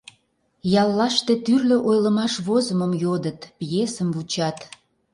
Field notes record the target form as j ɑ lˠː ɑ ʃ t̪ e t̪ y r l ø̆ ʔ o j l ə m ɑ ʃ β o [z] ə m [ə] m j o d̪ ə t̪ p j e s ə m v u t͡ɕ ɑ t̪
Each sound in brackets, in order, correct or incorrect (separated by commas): correct, correct